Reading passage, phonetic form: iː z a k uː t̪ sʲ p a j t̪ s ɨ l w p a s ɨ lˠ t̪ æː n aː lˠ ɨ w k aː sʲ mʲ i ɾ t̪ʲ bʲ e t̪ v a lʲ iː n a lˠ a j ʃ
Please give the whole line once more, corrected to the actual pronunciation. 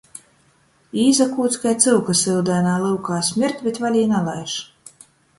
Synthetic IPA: iː z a k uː t̪ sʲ k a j t̪ s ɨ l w k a s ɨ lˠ d̪ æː n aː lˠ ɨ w k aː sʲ mʲ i ɾ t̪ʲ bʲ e t̪ v a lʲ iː n a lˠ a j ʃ